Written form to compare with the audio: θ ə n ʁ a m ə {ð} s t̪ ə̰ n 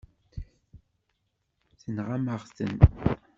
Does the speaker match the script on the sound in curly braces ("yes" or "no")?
no